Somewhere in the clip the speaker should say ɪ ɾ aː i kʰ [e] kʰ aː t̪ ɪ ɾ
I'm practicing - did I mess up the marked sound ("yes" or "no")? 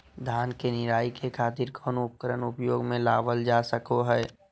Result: no